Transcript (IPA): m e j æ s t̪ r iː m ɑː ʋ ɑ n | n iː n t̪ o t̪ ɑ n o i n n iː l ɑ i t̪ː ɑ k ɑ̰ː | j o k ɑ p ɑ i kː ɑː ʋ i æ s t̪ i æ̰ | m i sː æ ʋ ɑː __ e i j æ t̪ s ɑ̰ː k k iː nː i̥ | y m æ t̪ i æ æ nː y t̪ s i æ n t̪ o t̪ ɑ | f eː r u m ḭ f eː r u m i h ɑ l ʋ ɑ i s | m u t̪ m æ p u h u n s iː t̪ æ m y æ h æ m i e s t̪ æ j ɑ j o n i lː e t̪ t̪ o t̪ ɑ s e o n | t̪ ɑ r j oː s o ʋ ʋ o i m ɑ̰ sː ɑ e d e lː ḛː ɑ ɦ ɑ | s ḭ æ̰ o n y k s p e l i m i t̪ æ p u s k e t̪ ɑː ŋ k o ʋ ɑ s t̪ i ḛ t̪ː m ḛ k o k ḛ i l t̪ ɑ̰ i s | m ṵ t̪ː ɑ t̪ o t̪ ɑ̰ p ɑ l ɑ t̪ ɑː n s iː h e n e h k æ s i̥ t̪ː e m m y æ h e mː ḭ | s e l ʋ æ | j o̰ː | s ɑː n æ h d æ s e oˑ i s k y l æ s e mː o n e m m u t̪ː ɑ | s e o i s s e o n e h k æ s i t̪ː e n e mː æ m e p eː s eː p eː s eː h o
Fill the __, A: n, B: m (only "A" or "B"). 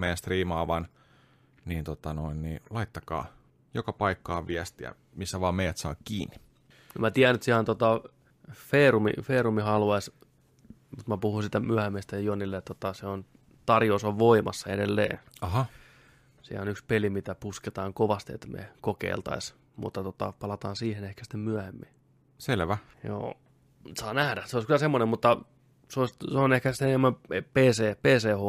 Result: B